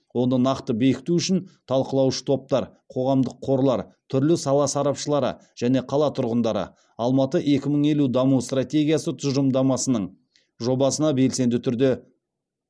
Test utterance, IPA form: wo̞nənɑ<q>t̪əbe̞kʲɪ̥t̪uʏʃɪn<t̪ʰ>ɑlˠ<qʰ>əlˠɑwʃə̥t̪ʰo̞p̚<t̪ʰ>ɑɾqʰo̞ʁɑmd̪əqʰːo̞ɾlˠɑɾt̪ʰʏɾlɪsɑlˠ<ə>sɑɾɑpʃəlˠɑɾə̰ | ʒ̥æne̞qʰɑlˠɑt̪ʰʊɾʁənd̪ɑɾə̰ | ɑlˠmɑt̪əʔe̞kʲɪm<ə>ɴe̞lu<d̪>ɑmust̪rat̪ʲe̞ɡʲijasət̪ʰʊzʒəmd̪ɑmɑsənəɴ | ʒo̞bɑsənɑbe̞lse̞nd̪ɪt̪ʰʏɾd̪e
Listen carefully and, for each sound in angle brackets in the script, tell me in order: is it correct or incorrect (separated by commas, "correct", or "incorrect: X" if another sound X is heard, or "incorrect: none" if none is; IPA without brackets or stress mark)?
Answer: correct, correct, incorrect: q, incorrect: t̪, incorrect: ɑ, correct, correct